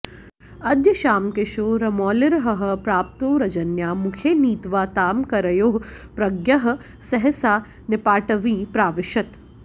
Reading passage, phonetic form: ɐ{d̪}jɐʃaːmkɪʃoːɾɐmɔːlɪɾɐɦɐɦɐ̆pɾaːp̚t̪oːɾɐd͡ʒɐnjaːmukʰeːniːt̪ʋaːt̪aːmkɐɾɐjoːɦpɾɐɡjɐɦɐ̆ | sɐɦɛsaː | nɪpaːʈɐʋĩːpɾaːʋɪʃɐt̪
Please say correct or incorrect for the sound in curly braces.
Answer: correct